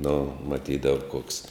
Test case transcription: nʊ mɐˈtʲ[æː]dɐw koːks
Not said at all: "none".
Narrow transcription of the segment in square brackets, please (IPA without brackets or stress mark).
iː